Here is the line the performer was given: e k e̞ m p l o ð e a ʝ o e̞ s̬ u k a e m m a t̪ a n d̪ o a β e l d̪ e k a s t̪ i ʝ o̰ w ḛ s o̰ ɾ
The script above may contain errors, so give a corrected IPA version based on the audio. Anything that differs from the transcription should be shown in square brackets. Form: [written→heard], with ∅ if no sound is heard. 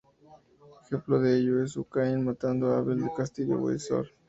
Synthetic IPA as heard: e [k→x] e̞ m p l o ð e [a→e] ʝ o e̞ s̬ u k a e [m→n] m a t̪ a n d̪ o a β e l d̪ e k a s t̪ i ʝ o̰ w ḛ s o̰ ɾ